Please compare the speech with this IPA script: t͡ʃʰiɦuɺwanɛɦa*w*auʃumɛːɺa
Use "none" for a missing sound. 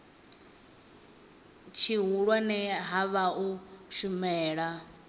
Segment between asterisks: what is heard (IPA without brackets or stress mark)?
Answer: β